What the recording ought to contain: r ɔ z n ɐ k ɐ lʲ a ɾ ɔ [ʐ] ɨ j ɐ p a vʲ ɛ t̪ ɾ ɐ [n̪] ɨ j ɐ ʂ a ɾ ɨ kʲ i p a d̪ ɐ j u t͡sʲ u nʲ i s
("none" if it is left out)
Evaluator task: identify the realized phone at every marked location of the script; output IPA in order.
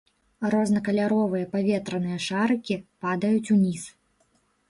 v, n̪

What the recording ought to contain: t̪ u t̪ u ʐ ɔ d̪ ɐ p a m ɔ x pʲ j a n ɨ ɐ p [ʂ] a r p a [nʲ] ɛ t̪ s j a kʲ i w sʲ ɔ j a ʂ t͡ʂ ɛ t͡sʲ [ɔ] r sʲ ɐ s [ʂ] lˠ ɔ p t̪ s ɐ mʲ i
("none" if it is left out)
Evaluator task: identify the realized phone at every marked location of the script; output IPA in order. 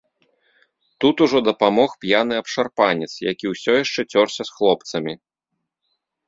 ʂ, nʲ, ɔ, x

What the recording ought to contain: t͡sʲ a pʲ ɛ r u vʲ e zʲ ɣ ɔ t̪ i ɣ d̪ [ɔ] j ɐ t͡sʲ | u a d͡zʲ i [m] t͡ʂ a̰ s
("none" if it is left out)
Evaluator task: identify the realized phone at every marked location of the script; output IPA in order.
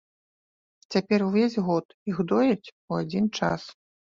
ɔ, n

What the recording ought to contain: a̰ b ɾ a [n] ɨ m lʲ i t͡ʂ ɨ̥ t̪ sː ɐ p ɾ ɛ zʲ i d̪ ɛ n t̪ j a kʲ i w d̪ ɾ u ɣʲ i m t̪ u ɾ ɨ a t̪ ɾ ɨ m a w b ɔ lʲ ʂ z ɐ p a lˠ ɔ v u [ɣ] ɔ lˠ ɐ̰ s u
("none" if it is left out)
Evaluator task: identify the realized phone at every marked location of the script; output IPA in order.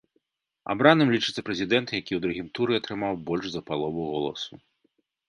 n, ɣ

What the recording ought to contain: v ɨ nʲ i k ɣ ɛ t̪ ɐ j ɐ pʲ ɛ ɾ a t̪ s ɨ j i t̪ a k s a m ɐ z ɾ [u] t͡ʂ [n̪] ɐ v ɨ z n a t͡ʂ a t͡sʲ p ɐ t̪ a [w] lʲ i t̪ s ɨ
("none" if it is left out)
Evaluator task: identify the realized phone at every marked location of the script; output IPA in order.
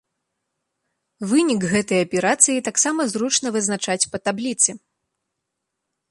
u, n̪, b

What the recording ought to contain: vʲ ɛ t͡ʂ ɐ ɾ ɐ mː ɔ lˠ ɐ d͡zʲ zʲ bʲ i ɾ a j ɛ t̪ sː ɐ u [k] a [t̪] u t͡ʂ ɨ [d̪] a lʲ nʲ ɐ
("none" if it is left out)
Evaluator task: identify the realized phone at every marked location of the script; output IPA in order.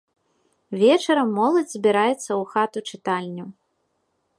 x, t̪, t̪

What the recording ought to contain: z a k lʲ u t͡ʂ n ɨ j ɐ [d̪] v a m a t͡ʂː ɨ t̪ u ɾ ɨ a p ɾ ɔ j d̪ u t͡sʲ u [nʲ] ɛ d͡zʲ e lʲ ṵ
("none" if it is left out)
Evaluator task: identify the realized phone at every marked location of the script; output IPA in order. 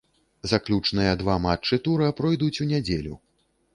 d̪, nʲ

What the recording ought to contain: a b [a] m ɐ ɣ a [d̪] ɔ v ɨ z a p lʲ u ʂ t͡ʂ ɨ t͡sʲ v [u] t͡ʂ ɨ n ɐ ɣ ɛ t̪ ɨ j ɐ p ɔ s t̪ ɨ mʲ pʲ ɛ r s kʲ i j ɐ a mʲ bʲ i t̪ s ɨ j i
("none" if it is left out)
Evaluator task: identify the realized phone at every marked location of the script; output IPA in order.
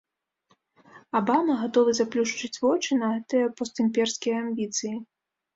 a, t̪, ɔ

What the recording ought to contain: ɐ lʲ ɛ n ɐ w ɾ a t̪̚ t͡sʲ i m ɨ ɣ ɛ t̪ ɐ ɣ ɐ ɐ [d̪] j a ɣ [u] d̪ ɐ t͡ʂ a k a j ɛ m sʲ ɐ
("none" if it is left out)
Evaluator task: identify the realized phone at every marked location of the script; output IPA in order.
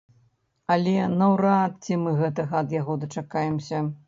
d̪, ɔ

